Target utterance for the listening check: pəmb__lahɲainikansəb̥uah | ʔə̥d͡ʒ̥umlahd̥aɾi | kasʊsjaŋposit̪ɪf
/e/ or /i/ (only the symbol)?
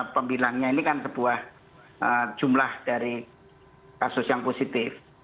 i